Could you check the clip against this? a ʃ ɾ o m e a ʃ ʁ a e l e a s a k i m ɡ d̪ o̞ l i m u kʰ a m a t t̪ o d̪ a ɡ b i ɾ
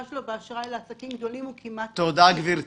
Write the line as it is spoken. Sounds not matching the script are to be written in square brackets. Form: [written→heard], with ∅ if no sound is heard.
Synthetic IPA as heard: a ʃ [ɾ→l] o [m→b] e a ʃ ʁ a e l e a s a k i m ɡ d̪ o̞ l i m u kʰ [a→i] m a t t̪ o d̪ a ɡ [b→v] i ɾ

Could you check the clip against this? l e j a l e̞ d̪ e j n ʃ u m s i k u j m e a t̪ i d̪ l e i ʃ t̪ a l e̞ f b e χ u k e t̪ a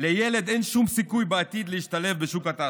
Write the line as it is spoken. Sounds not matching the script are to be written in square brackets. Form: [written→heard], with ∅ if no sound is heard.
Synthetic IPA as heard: l e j [a→e] l e̞ d̪ e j n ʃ u m s i k u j [m→b] e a t̪ i d̪ l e i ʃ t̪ a l e̞ f b e [χ→ʃ] u k [e→a] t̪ a

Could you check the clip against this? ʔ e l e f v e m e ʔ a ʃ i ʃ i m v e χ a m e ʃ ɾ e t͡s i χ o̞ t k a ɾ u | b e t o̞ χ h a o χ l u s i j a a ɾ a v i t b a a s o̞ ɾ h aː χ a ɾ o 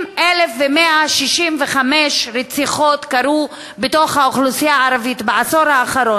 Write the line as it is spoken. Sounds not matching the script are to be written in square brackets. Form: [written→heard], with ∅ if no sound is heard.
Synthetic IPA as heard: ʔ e l e f v e m e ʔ a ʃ i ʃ i m v e χ a m e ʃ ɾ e t͡s i χ o̞ t k a ɾ u | b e t o̞ χ h a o χ l u s i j a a ɾ a v i t b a a s o̞ ɾ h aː χ a ɾ o

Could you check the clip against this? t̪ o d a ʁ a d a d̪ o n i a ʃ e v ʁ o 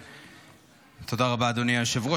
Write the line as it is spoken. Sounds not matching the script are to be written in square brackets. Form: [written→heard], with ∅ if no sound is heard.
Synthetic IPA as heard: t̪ o d a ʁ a [d→b] a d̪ o n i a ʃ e v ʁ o

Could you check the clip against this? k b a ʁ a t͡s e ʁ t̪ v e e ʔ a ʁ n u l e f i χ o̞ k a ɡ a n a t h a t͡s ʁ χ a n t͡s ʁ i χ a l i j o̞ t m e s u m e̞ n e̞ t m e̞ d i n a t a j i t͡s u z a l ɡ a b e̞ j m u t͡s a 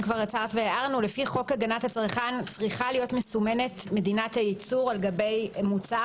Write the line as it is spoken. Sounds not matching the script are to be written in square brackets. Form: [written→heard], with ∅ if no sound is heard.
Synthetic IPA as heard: k [b→v] a ʁ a t͡s [e→a] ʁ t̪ v e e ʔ a ʁ n u l e f i χ o̞ k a ɡ a n a t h a t͡s ʁ χ a n t͡s ʁ i χ a l i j o̞ t m e s u m e̞ n e̞ t m e̞ d i n a t a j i t͡s u [z→ʁ] a l ɡ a b e̞ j m u t͡s a

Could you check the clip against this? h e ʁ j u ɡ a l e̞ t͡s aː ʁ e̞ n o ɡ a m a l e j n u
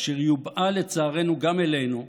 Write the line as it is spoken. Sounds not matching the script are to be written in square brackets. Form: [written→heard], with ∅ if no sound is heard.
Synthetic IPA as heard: [h→ʃ] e ʁ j u [ɡ→b] a l e̞ t͡s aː ʁ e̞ n [o→u] ɡ a m [a→e] l e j n u

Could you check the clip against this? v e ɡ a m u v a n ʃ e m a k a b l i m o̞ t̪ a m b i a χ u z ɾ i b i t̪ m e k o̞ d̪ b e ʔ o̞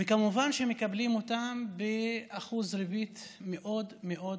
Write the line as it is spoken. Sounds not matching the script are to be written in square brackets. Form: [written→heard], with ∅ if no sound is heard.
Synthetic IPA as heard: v e [ɡ→k] a m u v a n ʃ e m [a→e] k a b l i m o̞ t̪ a m b [i→e] a χ u z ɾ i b i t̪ m e [k→ʔ] o̞ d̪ [b→m] e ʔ o̞

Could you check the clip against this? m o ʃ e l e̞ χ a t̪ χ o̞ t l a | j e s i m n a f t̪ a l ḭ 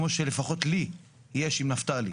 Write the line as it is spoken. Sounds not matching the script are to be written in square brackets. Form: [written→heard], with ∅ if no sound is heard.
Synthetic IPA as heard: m o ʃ e l e̞ [χ→f] a [t̪→∅] χ o̞ t l [a→i] | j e [s→ʃ] i m n a f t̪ a l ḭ

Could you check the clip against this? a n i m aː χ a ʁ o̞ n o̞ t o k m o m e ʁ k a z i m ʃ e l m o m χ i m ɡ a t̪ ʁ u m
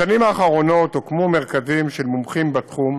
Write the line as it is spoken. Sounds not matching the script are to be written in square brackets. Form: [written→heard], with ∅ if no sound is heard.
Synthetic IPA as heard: a n i m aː χ a ʁ o̞ n o̞ t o k m o m e ʁ k a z i m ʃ e l m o m χ i m [ɡ→b] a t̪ [ʁ→χ] u m

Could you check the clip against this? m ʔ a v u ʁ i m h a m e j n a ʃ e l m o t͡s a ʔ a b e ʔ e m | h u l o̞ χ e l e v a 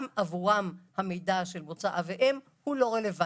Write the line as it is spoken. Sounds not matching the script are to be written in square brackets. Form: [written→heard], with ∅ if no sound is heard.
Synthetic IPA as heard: m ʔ a v u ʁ [i→a] m h a m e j [n→d] a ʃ e l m o t͡s a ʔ a [b→v] e ʔ e m | h u l o̞ [χ→ʁ] e l e v a

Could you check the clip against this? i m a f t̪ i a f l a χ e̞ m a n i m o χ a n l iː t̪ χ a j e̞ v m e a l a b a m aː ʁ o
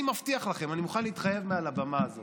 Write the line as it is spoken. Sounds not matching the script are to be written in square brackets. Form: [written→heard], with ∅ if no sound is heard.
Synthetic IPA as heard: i m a f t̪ i a [f→χ] l a χ e̞ m a n i m [o→u] χ a n l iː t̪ χ a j e̞ v m e a l a b a m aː [ʁ→z] o

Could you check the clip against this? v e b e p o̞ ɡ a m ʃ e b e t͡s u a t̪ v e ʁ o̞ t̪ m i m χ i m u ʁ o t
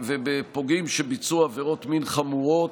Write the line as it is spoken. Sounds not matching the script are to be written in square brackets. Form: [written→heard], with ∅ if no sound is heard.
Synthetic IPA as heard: v e b e p o̞ ɡ [a→i] m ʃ e b [e→i] t͡s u a [t̪→∅] v e ʁ o̞ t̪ m i [m→n] χ [i→a] m u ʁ o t

